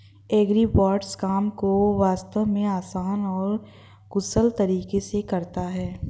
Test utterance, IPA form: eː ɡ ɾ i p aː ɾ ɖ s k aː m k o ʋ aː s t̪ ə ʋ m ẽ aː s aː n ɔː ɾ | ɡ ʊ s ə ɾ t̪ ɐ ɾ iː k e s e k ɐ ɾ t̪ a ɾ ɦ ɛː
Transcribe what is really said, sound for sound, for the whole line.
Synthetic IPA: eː ɡ ɾ i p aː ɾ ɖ s k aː m k o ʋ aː s t̪ ə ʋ m ẽ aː s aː n ɔː ɾ | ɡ ʊ s ə l t̪ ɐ ɾ iː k e s e k ɐ ɾ t̪ a ɦ ɛː